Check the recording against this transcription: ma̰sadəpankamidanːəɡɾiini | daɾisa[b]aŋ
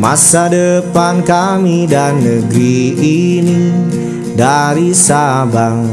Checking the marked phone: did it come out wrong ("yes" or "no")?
no